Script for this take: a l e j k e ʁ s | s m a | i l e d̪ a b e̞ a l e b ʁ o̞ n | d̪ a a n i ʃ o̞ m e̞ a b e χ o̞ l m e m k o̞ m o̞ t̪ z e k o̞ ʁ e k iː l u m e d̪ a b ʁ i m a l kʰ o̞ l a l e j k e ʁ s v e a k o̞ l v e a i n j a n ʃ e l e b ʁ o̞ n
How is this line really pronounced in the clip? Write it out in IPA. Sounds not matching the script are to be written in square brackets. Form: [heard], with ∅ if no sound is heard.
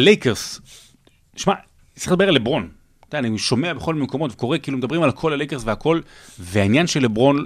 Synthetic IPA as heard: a l e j k e ʁ s | [ʃ] m a | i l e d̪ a b e̞ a l e b ʁ o̞ n | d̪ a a n i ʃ o̞ m e̞ a b e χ o̞ l m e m k o̞ m o̞ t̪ [v] e k o̞ ʁ e k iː l u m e d̪ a b ʁ i m a l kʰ o̞ l a l e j k e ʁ s v e a k o̞ l v e a i n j a n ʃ e l e b ʁ o̞ n